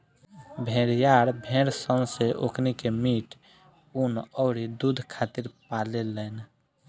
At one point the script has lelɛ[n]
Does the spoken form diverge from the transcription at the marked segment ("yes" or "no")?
no